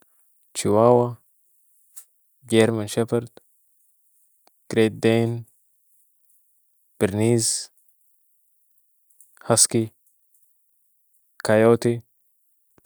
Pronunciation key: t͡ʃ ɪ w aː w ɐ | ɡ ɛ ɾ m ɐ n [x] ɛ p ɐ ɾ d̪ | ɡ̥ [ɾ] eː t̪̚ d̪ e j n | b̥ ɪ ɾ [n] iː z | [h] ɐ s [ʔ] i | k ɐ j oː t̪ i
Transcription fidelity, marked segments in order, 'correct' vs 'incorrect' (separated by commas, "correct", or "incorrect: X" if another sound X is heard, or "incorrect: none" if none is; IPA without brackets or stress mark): incorrect: ʃ, correct, correct, correct, incorrect: k